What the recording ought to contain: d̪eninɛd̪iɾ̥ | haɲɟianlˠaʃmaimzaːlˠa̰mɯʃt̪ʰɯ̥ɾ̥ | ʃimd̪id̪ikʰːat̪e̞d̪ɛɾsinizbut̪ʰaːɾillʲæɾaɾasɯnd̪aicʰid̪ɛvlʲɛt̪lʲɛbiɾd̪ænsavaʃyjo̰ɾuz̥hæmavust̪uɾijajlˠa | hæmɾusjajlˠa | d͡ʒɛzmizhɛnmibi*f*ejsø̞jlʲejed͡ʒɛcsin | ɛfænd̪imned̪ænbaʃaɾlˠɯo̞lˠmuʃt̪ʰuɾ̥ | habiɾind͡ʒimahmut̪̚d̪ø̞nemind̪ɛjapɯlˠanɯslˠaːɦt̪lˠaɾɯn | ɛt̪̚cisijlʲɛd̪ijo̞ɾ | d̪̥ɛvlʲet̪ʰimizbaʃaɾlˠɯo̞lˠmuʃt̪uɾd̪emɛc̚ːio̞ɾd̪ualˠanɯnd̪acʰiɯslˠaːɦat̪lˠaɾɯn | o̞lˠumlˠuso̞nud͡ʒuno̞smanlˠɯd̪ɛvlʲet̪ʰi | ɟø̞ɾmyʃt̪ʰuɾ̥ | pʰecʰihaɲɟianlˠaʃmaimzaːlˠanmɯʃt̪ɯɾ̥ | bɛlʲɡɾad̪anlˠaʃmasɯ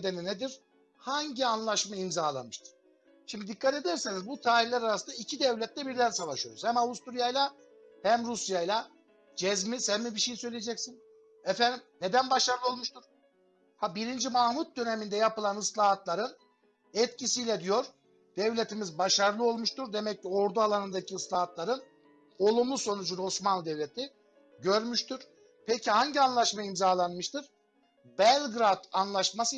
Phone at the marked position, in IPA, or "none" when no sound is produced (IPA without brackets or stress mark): ʃ